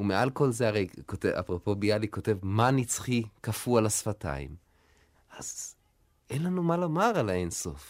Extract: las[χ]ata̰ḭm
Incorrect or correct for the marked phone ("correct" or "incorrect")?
incorrect